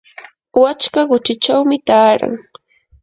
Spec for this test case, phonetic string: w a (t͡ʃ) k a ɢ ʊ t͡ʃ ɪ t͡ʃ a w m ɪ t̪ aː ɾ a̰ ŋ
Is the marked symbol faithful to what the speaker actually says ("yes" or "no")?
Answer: yes